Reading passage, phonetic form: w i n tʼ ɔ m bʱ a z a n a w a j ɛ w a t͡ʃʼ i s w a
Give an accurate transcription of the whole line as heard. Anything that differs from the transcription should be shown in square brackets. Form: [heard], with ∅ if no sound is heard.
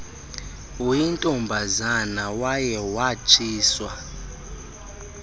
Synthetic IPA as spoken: w i n tʼ ɔ m bʱ a z a n a w a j ɛ w a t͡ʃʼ [iː] s w a